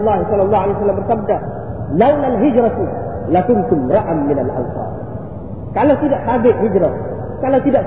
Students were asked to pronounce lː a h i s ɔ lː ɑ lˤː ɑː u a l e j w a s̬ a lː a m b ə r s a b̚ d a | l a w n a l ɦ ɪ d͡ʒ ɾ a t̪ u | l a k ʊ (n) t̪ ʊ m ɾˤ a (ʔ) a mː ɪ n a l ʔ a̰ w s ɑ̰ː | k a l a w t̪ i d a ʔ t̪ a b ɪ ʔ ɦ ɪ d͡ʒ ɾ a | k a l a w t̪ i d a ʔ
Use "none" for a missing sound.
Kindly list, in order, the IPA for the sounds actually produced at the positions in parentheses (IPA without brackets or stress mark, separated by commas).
n, ʔ